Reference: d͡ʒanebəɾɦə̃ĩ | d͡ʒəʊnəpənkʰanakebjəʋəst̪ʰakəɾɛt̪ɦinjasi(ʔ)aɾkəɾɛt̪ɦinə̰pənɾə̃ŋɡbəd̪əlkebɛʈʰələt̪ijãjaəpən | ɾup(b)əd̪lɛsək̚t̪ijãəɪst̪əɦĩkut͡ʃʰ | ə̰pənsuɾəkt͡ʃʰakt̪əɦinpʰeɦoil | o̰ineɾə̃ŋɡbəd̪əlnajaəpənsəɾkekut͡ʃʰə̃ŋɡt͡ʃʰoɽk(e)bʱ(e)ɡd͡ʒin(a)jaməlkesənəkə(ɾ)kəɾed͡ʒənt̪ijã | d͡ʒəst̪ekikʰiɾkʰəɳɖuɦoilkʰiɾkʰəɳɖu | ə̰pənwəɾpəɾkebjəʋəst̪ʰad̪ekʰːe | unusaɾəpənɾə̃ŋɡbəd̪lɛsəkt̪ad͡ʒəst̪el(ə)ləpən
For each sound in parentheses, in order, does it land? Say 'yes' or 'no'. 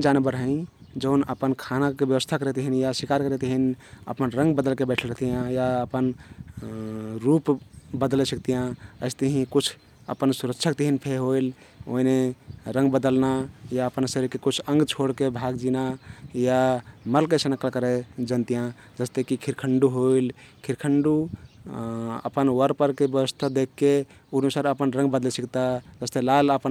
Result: no, yes, yes, no, yes, no, no

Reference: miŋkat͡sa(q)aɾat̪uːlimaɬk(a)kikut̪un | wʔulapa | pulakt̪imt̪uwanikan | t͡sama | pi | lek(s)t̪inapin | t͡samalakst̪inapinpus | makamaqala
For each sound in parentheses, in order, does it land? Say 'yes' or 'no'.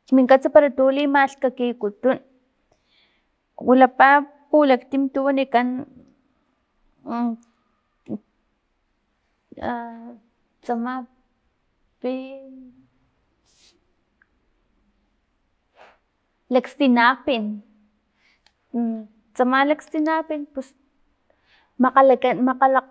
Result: no, yes, yes

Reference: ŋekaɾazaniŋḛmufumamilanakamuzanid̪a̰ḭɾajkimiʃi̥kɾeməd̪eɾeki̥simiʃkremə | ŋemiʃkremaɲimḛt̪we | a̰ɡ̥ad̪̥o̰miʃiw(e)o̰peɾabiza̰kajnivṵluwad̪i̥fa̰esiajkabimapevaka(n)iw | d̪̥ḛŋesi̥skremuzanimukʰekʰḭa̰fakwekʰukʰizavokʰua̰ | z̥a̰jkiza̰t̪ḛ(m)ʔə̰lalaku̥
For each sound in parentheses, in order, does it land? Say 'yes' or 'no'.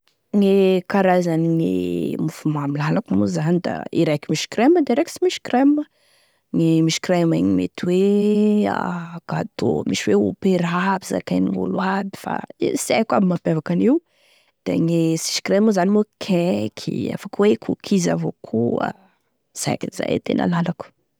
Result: yes, yes, no

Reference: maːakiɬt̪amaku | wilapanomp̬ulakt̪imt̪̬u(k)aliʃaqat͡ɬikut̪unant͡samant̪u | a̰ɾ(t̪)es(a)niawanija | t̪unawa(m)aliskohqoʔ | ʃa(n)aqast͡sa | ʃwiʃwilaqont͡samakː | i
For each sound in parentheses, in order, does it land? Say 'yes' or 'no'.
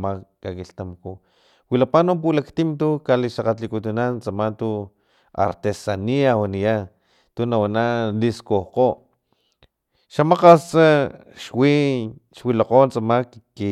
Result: yes, yes, yes, no, no

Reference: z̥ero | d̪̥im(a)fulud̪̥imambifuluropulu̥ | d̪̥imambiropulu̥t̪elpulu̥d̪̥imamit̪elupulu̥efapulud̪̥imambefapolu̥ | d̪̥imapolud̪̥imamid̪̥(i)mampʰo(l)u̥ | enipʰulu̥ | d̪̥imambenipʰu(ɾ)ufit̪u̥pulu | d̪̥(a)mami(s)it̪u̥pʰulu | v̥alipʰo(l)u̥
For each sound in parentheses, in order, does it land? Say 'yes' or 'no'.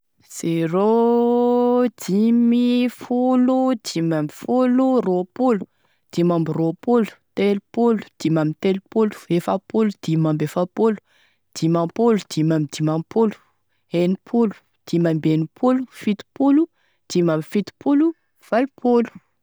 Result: no, yes, yes, no, no, no, yes

